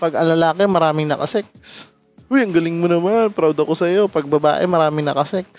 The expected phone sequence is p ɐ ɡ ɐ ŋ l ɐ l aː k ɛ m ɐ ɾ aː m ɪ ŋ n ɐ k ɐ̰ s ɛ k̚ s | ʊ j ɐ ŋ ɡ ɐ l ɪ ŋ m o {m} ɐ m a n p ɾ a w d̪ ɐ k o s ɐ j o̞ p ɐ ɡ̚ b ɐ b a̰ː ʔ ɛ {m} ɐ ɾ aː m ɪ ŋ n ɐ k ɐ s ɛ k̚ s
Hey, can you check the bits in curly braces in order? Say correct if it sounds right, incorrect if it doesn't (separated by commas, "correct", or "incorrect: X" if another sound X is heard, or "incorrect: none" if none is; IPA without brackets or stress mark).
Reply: incorrect: n, correct